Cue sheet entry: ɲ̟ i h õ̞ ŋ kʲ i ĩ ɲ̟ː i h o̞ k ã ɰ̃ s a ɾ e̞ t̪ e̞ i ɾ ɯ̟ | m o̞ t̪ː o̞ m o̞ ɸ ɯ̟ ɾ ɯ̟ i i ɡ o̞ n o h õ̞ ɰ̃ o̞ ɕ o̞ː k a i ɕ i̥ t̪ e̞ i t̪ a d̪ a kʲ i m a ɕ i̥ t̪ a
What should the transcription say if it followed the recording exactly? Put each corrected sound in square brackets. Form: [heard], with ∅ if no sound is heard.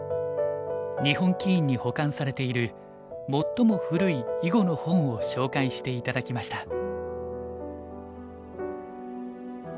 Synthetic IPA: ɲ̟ i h õ̞ ŋ kʲ i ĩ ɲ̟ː i h o̞ k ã ɰ̃ s a ɾ e̞ t̪ e̞ i ɾ ɯ̟ | m o̞ t̪ː o̞ m o̞ ɸ ɯ̟ ɾ ɯ̟ i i ɡ o̞ n o h õ̞ ɰ̃ o̞ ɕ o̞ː k a i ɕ i̥ t̪ e̞ i t̪ a d̪ a kʲ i m a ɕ i̥ t̪ a